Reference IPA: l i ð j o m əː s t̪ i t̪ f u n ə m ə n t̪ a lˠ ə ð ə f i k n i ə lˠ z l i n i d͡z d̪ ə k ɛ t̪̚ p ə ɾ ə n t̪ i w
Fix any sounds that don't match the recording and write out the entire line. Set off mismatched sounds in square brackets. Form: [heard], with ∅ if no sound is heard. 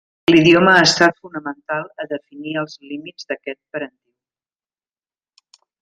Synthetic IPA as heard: l i ð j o m əː s t̪ [a] t̪ f u n ə m ə n t̪ a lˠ ə ð ə f i [∅] n i ə lˠ z l i [m] i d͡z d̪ ə k ɛ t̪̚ p ə ɾ ə n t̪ i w

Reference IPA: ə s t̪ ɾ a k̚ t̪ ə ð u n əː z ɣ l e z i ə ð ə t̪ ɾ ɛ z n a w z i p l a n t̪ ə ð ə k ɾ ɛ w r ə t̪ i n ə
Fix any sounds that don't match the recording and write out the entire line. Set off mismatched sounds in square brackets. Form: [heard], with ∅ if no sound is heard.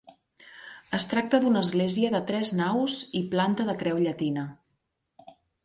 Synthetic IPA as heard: ə s t̪ ɾ a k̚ t̪ ə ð u n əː z ɣ l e z i ə ð ə t̪ ɾ ɛ z n a w z i p l a n t̪ ə ð ə k ɾ ɛ w [ʎ] ə t̪ i n ə

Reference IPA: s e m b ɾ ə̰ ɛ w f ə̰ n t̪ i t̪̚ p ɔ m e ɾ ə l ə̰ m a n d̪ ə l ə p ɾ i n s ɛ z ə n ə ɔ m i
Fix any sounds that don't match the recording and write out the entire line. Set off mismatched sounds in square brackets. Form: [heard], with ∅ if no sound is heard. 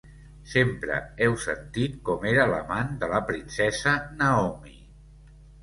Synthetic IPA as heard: s e m [p] ɾ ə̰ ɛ w [s] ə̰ n t̪ i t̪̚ [k] ɔ m e ɾ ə l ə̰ m a n d̪ ə l ə p ɾ i n s ɛ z ə n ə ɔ m i

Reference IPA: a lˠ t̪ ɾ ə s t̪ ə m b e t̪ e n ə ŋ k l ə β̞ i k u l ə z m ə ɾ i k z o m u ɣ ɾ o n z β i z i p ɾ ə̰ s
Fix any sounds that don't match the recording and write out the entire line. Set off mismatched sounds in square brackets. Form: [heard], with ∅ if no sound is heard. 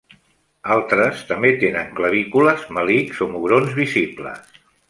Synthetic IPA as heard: a lˠ t̪ ɾ ə s t̪ ə m b e t̪ e n ə ŋ k l ə β̞ i k u l ə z m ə [l] i k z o m u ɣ ɾ o n z β i z i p [l] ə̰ s

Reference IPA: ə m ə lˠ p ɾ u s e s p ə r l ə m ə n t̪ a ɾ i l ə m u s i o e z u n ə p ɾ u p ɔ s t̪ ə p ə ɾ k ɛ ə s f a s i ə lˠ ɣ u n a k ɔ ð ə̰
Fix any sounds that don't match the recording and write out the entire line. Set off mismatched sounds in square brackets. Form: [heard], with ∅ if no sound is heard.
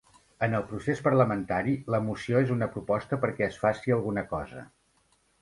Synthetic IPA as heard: ə [n] ə lˠ p ɾ u s e s p ə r l ə m ə n t̪ a ɾ i l ə m u s i o e z u n ə p ɾ u p ɔ s t̪ ə p ə ɾ k ɛ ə s f a s i ə lˠ ɣ u n [ə] k ɔ [z] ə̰

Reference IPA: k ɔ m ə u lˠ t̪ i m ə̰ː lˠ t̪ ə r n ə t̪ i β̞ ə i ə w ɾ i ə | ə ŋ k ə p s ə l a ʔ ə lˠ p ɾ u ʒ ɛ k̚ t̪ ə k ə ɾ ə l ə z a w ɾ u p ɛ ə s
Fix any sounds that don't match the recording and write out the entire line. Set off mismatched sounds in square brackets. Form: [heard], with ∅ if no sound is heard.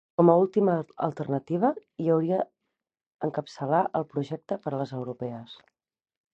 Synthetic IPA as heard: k ɔ m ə u lˠ t̪ i m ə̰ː lˠ t̪ ə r n ə t̪ i β̞ ə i ə w ɾ i ə | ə ŋ k ə p s ə l a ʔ ə lˠ p ɾ u ʒ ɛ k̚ t̪ ə [p] ə ɾ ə l ə z [ə] w ɾ u p ɛ ə s

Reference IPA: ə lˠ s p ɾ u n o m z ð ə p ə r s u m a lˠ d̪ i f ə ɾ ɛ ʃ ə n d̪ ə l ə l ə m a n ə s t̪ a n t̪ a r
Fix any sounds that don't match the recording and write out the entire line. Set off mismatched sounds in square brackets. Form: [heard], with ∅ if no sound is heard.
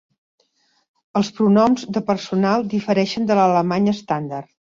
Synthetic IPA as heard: ə lˠ s p ɾ u n [ɔ] m z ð ə p ə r s u [n] a lˠ d̪ i f ə ɾ ɛ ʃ ə n d̪ ə l ə l ə m a [ɲ] ə s t̪ a n [d̪] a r

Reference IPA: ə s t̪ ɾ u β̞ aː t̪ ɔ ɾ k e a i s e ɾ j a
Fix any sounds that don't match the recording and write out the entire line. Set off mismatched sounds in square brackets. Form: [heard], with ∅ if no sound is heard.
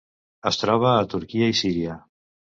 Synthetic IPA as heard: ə s t̪ ɾ [ɔ] β̞ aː t̪ [u] ɾ k [i] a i s [i] ɾ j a

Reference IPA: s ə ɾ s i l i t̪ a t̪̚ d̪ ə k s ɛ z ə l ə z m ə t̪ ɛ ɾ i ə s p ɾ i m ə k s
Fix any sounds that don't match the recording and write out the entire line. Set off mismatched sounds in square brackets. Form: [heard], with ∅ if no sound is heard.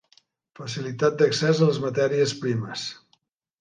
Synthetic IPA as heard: [f] ə [∅] s i l i t̪ a t̪̚ d̪ ə k s ɛ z ə l ə z m ə t̪ ɛ ɾ i ə s p ɾ i m ə [∅] s

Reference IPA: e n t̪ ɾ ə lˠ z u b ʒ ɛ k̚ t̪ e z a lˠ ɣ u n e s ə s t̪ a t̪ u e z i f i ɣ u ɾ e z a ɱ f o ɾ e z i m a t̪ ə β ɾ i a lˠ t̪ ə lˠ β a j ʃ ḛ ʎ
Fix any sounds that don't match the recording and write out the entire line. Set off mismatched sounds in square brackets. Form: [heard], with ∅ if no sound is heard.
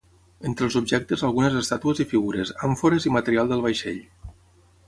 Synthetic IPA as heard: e n t̪ ɾ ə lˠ z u b ʒ ɛ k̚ t̪ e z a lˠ ɣ u n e [z] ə s t̪ a t̪ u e z i f i ɣ u ɾ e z a ɱ f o ɾ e z i m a t̪ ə [∅] ɾ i a lˠ [d̪] ə lˠ β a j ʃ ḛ ʎ

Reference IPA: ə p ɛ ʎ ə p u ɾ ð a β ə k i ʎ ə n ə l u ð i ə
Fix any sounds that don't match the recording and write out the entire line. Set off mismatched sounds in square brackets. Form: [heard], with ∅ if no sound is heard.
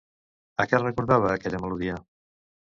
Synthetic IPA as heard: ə [k] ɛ [r] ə [k] u ɾ ð a β [əː] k [ɛ] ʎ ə [m] ə l u ð i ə

